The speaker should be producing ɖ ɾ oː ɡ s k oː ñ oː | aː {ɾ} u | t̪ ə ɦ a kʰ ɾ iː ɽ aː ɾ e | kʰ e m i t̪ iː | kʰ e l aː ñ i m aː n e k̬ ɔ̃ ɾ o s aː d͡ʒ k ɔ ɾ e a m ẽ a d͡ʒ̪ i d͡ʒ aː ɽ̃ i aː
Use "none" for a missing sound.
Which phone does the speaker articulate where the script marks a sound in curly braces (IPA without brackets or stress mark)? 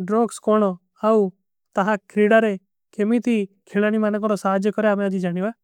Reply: none